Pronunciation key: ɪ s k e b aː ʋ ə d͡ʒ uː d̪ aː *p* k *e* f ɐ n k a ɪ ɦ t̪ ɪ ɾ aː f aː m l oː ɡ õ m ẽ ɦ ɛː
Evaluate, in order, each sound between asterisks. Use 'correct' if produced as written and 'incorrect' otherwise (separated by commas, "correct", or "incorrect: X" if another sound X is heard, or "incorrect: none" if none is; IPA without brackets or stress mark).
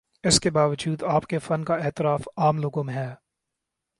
correct, correct